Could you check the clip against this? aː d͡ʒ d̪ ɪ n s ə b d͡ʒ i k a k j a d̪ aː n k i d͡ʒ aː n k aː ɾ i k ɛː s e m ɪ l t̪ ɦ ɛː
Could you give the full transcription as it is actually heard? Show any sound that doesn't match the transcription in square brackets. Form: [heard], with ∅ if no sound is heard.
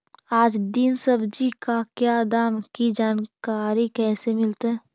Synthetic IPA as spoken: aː d͡ʒ d̪ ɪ n s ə b d͡ʒ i k a k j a d̪ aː [m] k i d͡ʒ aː n k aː ɾ i k ɛː s e m ɪ l t̪ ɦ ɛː